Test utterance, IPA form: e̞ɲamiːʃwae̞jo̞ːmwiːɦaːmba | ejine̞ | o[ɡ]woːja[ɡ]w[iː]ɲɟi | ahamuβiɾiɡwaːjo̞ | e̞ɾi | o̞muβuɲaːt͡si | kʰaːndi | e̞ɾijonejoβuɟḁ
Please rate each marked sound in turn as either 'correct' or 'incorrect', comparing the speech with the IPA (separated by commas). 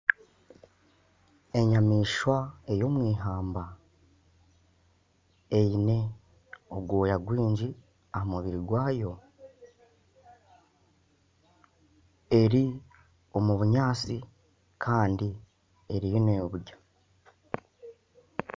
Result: correct, correct, correct